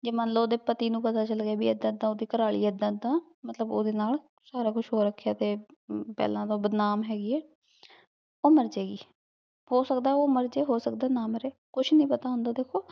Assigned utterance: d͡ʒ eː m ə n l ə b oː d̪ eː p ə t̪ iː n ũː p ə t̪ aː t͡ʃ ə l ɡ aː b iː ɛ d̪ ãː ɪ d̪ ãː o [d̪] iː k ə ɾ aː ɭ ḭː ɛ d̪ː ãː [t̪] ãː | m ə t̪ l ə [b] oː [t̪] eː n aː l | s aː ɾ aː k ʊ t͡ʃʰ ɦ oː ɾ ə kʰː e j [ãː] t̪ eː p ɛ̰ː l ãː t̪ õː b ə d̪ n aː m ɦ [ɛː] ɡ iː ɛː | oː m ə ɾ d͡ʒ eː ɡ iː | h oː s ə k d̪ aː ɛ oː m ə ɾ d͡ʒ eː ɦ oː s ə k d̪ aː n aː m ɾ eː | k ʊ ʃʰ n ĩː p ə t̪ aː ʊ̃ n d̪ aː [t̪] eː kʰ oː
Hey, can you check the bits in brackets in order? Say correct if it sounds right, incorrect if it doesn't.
correct, incorrect: d̪, correct, incorrect: d̪, incorrect: aː, correct, incorrect: d̪

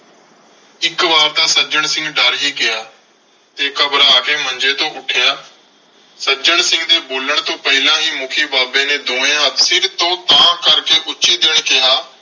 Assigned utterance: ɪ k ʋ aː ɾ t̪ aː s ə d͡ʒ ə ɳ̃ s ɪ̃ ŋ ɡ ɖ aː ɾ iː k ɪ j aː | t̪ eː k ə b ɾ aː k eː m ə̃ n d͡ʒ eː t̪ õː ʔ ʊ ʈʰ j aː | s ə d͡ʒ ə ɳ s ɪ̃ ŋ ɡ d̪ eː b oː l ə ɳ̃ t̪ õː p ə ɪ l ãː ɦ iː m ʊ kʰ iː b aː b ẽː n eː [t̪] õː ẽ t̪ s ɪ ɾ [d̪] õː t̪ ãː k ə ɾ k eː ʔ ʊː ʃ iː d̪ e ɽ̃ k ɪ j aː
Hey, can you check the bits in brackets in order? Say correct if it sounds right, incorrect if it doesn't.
incorrect: d̪, incorrect: t̪

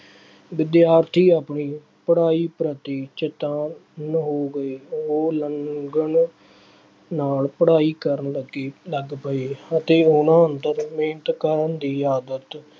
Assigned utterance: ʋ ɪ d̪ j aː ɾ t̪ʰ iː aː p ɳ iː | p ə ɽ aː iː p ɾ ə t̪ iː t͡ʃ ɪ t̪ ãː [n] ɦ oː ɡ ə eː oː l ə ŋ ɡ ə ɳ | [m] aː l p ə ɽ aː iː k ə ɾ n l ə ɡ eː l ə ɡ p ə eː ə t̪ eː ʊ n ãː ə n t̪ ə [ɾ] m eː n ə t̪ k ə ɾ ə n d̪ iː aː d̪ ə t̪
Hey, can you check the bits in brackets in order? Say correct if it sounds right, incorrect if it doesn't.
correct, incorrect: n, correct

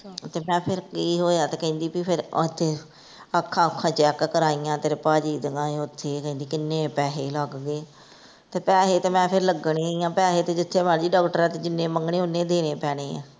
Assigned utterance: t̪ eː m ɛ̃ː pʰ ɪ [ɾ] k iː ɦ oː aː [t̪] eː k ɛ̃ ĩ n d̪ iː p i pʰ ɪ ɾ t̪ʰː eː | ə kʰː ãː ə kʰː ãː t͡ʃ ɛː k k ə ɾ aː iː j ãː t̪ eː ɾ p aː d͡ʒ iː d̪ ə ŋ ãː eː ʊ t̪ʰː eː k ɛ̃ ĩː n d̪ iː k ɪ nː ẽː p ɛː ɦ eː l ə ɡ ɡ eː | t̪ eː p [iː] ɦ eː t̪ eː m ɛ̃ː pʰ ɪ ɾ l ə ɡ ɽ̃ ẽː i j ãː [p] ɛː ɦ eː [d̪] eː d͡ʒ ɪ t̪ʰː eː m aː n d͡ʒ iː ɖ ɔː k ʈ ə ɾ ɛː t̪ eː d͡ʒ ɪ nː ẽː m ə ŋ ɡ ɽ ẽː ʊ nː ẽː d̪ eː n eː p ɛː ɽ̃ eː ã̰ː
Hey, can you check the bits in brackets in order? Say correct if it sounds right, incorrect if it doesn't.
correct, correct, incorrect: ɛː, correct, incorrect: t̪

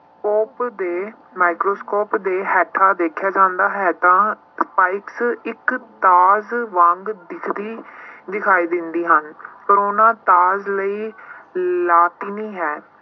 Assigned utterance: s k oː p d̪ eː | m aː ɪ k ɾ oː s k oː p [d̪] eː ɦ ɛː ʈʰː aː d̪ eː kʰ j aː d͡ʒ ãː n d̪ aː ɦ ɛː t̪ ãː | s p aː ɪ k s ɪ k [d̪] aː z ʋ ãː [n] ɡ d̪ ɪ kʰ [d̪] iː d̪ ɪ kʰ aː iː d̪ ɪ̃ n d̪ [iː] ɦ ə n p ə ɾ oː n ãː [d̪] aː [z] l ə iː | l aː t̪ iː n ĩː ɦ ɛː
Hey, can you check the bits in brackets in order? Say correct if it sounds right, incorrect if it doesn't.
correct, incorrect: t̪, incorrect: ŋ, correct, correct, incorrect: t̪, correct

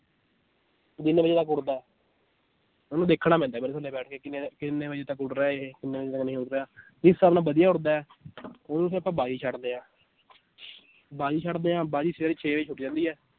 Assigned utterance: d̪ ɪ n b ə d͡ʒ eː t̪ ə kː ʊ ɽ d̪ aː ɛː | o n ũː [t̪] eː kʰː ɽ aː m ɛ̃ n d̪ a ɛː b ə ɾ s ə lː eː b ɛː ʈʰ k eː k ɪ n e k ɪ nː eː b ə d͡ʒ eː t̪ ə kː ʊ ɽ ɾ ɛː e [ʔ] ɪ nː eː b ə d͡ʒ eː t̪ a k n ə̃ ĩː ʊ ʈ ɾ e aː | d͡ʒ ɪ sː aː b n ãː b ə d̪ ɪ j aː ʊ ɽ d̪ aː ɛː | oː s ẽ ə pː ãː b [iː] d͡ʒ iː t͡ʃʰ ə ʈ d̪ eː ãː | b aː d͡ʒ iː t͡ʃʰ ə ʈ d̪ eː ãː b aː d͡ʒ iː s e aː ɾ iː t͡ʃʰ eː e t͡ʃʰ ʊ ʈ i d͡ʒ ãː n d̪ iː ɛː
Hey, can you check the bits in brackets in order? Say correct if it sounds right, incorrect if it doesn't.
incorrect: d̪, incorrect: k, incorrect: aː

